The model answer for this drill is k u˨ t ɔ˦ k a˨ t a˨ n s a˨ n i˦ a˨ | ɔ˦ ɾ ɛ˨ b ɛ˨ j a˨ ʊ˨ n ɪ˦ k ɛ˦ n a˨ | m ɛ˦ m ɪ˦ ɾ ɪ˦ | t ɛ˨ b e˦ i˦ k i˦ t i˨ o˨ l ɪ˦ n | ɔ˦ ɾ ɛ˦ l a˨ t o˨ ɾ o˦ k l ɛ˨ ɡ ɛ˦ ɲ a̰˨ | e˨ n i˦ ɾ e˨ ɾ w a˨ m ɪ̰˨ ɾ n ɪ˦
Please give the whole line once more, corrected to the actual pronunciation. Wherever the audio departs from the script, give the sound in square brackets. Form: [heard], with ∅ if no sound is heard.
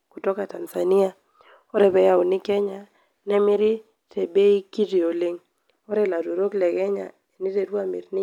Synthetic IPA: k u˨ t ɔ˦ k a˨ t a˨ n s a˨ n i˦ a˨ | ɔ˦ ɾ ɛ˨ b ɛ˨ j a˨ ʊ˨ n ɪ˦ k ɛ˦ [ɲ] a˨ | [n] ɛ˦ m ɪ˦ ɾ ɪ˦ | t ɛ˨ b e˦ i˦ k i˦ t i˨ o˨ l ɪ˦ [ŋ] | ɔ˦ ɾ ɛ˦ l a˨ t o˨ ɾ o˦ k l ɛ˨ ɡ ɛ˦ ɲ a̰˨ | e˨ n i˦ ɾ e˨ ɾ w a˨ m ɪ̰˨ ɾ n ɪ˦